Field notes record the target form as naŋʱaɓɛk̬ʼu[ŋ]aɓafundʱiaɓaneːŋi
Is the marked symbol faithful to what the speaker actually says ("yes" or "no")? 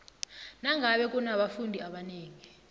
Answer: no